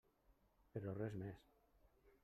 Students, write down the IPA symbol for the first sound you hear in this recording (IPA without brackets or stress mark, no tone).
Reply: p